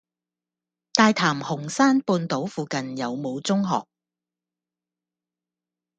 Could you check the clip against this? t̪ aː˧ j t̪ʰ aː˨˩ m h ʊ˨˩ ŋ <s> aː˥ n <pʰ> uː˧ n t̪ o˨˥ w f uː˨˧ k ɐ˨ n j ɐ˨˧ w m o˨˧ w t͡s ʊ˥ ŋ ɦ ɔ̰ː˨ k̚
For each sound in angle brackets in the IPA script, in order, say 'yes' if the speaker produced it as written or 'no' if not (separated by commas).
yes, no